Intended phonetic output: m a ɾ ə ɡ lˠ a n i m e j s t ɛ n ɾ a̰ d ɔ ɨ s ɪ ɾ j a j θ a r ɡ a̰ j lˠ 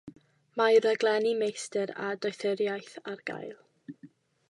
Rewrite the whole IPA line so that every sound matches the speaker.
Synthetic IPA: m a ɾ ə ɡ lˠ ɛ n i m e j s t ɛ ɾ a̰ d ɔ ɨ θ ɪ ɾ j a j θ a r ɡ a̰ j lˠ